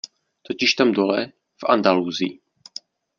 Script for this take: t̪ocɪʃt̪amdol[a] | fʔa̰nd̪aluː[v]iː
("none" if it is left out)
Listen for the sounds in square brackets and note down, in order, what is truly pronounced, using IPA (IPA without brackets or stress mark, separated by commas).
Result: ɛ, z